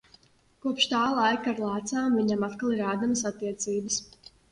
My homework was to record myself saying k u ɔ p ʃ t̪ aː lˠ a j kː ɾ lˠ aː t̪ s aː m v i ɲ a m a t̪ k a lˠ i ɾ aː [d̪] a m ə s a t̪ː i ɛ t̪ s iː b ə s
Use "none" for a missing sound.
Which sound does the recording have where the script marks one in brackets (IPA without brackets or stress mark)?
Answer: d̪